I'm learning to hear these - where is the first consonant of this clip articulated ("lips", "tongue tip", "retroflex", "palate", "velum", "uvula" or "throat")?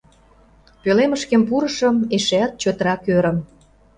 lips